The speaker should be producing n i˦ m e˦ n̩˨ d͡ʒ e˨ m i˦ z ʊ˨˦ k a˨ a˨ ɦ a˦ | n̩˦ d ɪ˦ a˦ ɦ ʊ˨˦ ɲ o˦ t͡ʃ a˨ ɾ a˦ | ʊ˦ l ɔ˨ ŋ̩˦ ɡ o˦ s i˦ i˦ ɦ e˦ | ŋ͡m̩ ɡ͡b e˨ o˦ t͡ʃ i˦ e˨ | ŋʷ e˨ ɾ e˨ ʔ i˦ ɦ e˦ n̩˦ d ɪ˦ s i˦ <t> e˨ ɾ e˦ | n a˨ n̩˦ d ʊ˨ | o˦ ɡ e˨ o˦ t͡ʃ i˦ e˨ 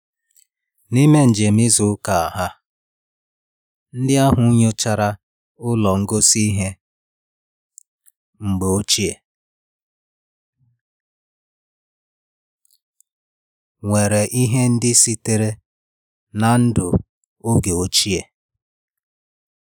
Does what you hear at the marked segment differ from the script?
no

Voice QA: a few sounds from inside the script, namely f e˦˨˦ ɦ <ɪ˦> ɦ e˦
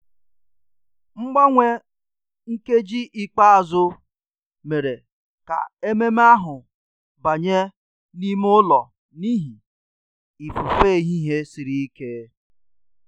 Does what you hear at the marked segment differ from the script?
yes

